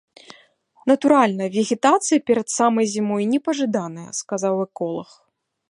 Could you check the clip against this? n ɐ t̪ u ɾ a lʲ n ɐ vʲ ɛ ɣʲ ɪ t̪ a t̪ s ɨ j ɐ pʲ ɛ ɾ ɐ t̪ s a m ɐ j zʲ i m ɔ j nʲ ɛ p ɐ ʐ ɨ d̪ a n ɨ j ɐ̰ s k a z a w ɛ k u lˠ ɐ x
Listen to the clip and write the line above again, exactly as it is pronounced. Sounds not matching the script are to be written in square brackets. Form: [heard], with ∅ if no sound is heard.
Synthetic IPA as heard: n ɐ t̪ u ɾ a lʲ n ɐ vʲ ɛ ɣʲ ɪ t̪ a t̪ s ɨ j ɐ pʲ ɛ ɾ ɐ t̪ s a m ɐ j zʲ i m ɔ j nʲ ɛ p ɐ ʐ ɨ d̪ a n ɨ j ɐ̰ s k a z a w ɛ k [ɔ] lˠ ɐ x